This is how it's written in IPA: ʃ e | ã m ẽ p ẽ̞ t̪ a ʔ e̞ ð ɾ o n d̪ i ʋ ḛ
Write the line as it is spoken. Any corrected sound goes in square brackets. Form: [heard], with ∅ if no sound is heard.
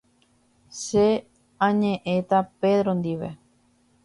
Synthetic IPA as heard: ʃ e | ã [ɲ] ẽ [ʔ] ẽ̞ t̪ a [p] e̞ ð ɾ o n d̪ i ʋ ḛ